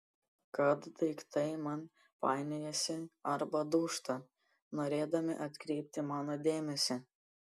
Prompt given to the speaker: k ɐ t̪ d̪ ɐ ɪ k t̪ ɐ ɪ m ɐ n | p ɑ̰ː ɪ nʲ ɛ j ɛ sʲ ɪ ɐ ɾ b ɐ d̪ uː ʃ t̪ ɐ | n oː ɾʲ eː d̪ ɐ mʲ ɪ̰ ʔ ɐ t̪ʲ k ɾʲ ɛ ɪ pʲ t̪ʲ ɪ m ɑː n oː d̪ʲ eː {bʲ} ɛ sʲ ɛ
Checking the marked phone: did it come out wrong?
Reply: yes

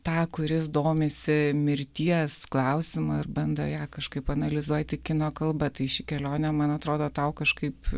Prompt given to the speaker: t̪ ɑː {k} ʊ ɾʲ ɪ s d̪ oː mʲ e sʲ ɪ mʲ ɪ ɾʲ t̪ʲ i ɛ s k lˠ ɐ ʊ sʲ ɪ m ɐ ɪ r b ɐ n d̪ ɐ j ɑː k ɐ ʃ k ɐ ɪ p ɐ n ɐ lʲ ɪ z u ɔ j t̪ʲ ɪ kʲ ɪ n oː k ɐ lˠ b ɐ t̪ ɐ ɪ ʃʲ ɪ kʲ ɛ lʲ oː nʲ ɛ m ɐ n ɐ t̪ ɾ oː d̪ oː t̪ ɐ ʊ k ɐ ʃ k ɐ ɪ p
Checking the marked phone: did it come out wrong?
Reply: no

